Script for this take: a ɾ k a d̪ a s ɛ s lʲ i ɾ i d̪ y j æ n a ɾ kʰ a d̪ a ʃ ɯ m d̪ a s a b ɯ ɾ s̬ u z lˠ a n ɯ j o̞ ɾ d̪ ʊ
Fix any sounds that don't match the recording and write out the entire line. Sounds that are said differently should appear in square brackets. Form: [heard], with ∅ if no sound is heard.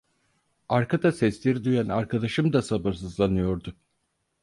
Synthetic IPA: a ɾ k a d̪ a s ɛ s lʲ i ɾ i d̪ y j æ n a ɾ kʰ a d̪ a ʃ ɯ m d̪ a s a b ɯ ɾ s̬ [ɯ] z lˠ a n ɯ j o̞ ɾ d̪ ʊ